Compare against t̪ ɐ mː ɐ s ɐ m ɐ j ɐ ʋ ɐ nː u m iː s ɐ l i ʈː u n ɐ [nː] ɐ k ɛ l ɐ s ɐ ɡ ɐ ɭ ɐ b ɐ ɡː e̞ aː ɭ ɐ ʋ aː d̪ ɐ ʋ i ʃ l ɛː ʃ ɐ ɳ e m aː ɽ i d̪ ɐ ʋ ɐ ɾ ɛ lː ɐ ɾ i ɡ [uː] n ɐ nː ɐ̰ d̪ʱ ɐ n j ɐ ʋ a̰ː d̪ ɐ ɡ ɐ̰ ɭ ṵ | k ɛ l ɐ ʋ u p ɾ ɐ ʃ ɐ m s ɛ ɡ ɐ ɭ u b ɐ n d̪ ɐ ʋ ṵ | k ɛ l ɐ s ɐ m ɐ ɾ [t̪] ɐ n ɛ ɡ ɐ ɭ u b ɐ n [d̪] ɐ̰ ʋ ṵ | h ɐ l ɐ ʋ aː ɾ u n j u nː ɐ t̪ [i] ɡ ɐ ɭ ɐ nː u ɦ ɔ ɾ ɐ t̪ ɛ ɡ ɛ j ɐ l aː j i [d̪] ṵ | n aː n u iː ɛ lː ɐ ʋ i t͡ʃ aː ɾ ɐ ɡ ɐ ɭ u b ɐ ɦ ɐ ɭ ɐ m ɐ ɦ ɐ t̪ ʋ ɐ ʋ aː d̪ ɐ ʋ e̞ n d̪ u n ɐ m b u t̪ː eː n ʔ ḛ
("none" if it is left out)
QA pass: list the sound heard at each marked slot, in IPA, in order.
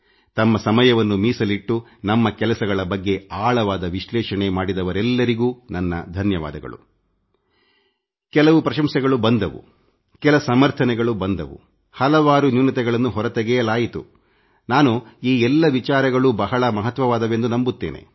mː, uː, t̪ʰ, d̪, ɛ, t̪

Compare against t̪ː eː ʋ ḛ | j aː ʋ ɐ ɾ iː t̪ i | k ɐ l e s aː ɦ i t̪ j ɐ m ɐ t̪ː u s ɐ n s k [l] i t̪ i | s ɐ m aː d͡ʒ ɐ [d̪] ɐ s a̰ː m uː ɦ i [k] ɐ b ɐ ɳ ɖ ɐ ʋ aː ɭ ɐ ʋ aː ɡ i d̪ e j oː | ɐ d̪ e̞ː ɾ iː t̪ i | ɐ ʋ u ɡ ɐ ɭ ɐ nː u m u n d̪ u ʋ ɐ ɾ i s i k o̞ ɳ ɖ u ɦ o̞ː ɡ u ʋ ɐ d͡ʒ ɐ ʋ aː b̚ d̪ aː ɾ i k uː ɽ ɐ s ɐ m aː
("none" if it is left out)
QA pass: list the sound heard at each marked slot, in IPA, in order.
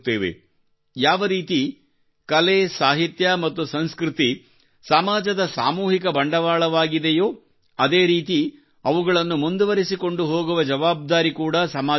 ɾ, d̪, k

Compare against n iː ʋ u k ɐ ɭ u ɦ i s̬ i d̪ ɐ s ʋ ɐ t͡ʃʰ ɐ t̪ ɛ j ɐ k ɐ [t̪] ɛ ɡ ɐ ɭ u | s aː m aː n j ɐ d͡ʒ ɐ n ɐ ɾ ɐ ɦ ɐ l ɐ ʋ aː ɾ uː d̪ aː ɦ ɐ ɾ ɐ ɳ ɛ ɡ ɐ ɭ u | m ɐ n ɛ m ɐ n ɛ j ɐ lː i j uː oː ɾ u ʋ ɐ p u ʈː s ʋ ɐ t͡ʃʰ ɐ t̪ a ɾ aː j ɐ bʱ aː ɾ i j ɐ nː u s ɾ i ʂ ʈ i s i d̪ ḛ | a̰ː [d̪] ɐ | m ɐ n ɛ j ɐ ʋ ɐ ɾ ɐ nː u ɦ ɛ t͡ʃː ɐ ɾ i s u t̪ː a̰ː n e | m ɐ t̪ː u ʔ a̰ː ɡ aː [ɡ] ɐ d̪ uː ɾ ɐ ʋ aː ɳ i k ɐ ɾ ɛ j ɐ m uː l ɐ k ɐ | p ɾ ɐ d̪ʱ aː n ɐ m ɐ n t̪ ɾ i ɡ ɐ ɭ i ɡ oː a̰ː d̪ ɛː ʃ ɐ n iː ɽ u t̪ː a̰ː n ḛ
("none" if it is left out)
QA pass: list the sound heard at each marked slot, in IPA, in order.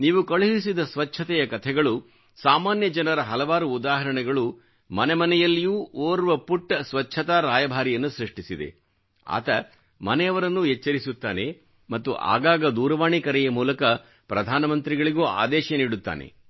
t̪ʰ, t̪, ɡ

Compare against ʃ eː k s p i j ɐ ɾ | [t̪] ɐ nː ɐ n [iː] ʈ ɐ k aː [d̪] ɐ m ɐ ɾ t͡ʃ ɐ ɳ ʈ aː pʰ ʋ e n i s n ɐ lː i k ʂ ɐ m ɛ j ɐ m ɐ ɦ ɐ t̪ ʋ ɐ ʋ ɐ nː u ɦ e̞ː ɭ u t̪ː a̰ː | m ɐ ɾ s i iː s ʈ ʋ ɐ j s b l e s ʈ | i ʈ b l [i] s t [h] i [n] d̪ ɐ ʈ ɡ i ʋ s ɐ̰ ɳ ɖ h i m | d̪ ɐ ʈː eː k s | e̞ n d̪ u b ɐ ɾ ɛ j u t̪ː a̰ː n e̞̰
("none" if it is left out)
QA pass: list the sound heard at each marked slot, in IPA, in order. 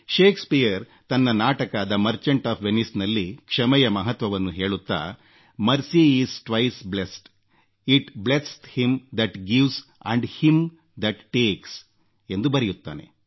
t̪, aː, d̪, e, h, m

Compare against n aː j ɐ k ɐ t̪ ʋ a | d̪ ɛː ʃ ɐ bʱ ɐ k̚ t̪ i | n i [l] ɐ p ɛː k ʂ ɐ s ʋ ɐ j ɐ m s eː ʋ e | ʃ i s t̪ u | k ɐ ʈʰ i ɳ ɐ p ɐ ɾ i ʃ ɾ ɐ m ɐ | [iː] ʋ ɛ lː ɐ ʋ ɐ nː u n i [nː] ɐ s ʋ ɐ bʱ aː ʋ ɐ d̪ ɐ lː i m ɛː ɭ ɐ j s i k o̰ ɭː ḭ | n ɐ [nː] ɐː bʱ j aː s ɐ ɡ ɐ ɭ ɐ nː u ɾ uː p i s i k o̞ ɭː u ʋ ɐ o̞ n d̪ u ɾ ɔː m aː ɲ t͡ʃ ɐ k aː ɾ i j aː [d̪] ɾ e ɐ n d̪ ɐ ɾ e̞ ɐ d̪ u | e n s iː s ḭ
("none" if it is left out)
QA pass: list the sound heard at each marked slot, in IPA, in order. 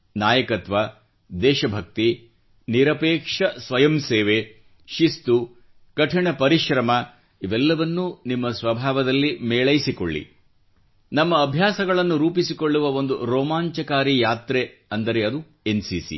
ɾ, i, mː, mː, t̪

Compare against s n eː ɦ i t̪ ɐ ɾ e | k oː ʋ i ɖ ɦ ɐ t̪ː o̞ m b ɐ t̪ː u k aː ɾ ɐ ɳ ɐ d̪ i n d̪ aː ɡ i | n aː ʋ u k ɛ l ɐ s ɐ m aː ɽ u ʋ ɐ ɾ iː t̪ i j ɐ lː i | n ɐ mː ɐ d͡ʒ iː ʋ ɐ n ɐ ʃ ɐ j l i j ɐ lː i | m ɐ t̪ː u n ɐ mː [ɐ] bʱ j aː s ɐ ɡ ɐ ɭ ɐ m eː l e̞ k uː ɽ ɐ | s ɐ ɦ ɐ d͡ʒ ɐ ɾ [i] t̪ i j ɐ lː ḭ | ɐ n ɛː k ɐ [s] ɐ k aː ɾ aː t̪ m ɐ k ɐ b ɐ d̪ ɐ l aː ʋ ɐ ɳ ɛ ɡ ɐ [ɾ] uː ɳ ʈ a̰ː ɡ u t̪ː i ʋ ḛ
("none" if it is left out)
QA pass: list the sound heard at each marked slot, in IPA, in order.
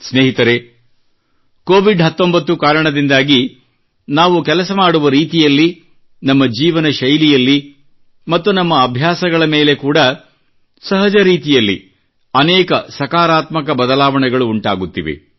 ɐː, iː, s, ɭ

